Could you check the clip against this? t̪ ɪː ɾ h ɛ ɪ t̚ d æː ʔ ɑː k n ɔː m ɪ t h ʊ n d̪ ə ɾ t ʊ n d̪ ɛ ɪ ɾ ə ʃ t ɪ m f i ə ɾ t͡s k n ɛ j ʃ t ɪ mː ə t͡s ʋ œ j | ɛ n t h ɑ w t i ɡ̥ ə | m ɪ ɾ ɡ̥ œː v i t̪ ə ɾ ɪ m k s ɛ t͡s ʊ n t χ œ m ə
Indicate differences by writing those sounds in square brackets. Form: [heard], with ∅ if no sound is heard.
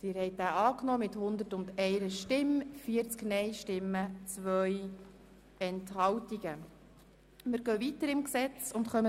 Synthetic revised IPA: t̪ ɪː ɾ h ɛ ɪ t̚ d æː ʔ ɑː k n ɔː m ɪ t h ʊ n d̪ ə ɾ t ʊ n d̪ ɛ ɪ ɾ ə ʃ t ɪ m f i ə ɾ t͡s k n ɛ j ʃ t ɪ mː ə t͡s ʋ œ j | ɛ n t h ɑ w t i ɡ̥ ə | m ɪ ɾ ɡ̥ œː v i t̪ ə ɾ ɪ m k s ɛ t͡s ʊ n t χ œ m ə